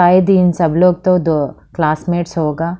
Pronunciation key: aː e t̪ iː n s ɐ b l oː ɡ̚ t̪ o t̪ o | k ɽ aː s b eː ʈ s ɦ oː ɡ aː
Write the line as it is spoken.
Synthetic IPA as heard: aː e d̪ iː n s ɐ b l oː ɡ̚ t̪ o d̪ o | k l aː s m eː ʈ s ɦ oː ɡ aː